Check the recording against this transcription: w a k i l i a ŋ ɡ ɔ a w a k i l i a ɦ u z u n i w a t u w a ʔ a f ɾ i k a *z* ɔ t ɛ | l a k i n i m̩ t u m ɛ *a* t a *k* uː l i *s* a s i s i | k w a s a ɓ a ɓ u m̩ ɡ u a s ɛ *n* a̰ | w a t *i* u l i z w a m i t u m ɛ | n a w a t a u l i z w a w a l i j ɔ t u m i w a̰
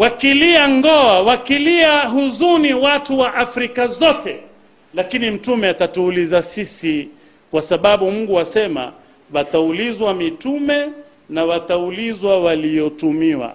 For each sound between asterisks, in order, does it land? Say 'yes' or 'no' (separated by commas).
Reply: yes, yes, no, no, no, no